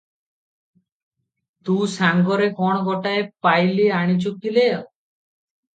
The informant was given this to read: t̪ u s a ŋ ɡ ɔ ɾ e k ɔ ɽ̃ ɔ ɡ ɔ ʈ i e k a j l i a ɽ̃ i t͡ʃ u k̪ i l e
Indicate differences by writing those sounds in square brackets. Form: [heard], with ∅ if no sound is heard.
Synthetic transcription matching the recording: t̪ u s a ŋ ɡ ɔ ɾ e k ɔ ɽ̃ ɔ ɡ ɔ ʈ [a] e [p] a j l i a ɽ̃ i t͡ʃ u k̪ i l e